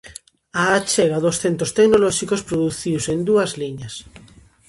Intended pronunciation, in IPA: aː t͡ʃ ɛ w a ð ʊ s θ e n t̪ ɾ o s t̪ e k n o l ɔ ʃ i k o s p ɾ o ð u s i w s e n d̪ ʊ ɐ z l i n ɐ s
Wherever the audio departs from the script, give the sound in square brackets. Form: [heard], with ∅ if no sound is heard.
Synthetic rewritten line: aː t͡ʃ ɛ [ɣ] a ð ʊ s θ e n t̪ ɾ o s t̪ e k n o l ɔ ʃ i k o s p ɾ o ð u [θ] i w s e n d̪ [u] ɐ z l i [ɲ] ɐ s